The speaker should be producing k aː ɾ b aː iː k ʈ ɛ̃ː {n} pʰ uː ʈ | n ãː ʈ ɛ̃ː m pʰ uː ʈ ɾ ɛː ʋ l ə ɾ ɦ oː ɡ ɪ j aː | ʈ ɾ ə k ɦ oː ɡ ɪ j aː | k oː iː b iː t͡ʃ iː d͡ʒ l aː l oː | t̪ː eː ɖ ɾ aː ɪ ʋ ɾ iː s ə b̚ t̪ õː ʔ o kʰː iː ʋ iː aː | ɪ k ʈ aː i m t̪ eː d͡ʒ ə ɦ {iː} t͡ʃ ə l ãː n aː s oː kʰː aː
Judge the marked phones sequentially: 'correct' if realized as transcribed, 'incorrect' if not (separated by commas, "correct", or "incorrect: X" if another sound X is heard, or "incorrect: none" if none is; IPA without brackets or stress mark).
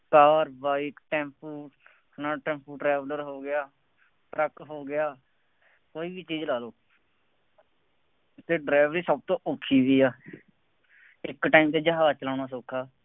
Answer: incorrect: m, incorrect: aː